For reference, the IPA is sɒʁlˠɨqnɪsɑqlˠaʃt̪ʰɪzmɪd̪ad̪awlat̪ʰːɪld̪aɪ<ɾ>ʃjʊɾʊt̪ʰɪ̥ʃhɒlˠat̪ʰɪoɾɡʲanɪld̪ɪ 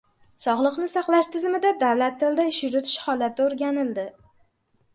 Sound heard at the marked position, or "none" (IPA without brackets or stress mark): none